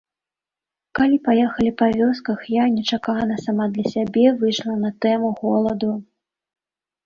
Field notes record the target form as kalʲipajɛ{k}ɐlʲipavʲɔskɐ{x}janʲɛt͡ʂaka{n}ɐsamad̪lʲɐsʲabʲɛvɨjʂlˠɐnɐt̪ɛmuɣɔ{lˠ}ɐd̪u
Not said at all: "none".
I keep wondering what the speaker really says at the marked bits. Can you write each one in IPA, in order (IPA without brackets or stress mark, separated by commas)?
x, x, n, lˠ